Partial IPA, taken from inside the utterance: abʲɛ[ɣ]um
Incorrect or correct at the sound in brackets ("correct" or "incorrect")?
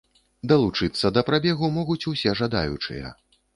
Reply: correct